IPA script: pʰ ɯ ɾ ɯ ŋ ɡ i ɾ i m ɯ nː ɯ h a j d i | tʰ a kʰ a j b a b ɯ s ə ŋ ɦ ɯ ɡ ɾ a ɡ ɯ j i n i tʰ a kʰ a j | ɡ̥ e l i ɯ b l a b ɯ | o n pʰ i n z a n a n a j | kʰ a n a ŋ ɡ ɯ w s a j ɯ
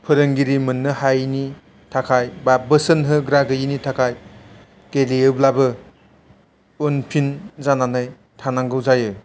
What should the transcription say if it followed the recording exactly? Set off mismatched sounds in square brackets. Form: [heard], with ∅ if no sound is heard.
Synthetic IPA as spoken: pʰ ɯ ɾ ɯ ŋ ɡ i ɾ i m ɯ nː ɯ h a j [n] i | tʰ a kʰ a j b a b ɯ s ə [n] ɦ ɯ ɡ ɾ a ɡ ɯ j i n i tʰ a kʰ a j | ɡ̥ e l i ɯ b l a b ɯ | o n pʰ i n z a n a n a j | [tʰ] a n a ŋ ɡ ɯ w [z] a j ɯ

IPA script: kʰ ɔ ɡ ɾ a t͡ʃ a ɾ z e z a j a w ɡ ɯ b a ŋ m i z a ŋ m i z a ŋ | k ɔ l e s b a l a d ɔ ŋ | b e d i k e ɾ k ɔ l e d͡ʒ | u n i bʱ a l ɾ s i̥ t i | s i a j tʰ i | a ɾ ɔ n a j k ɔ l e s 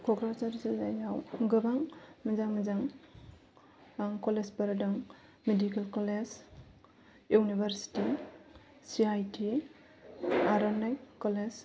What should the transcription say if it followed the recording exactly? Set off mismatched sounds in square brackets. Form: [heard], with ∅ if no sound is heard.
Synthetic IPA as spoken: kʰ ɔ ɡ ɾ a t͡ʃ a ɾ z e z a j a w ɡ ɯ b a ŋ m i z a ŋ m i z a ŋ | k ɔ l e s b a [ɾ] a d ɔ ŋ | [m] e d i k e [l] k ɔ l e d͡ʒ | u n i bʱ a [∅] ɾ s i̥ t i | s i a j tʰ i | a ɾ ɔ n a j k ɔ l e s

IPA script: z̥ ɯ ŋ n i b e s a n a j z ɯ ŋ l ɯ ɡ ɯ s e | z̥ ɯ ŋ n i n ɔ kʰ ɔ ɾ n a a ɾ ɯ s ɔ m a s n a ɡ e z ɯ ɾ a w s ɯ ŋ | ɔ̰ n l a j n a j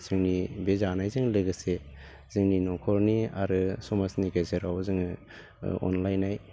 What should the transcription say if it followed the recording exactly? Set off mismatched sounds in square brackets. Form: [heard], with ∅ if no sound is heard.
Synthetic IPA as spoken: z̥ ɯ ŋ n i b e [z] a n a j z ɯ ŋ l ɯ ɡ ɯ s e | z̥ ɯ ŋ n i n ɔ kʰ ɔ ɾ n [i] a ɾ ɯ s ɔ m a s n [i] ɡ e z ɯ ɾ a w [z] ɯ ŋ | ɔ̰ n l a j n a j

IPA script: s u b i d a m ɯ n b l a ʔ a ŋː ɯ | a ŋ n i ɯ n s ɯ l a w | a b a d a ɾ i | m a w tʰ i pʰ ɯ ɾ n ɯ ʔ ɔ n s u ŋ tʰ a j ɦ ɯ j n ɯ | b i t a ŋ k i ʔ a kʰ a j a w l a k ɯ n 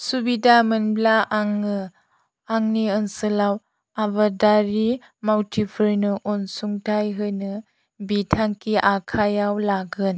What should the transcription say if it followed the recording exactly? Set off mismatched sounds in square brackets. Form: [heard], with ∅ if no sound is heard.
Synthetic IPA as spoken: s u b i d a m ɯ n b l a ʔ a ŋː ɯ | a ŋ n i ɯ n s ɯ l a w | a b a d a ɾ i | m a w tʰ i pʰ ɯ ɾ n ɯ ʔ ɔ n s u ŋ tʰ a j ɦ ɯ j n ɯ | b i [tʰ] a ŋ k i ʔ a kʰ a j a w l a [ɡ] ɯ n

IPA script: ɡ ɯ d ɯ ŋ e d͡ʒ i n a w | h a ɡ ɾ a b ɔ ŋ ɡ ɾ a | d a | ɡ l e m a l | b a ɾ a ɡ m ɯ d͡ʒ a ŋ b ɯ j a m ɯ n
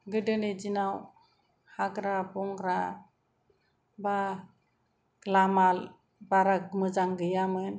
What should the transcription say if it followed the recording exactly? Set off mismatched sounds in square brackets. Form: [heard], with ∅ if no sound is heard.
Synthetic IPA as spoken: ɡ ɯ d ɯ [n] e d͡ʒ i n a w | h a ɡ ɾ a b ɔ ŋ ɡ ɾ a | [b] a | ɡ l [a] m a l | b a ɾ a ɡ m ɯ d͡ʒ a ŋ [ɡ] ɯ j a m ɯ n

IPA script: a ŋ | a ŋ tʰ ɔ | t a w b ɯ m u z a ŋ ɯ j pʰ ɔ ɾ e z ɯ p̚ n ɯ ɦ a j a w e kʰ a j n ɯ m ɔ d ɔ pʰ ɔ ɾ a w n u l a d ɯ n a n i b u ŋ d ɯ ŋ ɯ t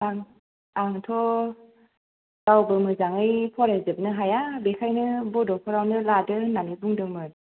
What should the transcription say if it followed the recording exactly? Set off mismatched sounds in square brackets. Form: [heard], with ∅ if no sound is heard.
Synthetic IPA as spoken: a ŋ | a ŋ tʰ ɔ | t a w b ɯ m [ɯ] z a ŋ ɯ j pʰ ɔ ɾ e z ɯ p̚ n ɯ ɦ a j a [b] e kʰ a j n ɯ [b] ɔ d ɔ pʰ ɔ ɾ a w n [ɯ] l a d ɯ n a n i b u ŋ d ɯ [m] ɯ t

